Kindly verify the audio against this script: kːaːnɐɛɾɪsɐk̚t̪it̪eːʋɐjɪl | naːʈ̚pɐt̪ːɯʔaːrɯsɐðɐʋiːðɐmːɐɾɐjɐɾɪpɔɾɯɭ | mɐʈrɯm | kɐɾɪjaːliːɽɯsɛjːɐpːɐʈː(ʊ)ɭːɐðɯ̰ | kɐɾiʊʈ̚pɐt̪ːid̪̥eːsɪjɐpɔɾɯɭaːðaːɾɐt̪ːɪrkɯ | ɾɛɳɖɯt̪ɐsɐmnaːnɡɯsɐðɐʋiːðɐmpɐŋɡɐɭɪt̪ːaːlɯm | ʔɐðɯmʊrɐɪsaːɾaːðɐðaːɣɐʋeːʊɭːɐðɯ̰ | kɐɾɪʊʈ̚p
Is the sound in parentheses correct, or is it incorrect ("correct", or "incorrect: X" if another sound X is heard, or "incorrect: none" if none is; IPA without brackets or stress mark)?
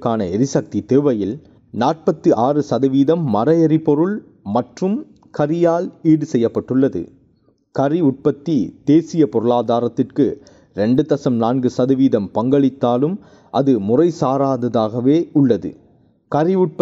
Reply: incorrect: ɯ